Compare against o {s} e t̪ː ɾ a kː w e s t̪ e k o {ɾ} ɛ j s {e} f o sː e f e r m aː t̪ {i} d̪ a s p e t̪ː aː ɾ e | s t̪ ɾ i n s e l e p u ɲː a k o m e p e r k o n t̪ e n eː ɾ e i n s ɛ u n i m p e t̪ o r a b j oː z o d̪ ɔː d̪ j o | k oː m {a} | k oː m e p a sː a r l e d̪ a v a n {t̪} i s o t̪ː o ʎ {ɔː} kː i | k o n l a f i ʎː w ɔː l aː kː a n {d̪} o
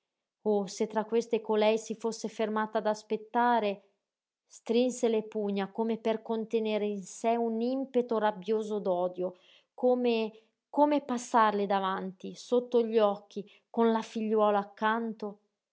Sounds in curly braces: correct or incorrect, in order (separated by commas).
correct, incorrect, incorrect, incorrect, incorrect, correct, incorrect, incorrect